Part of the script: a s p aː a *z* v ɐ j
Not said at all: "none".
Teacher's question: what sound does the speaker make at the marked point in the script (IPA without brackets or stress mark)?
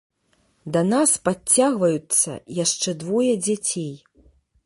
ɣ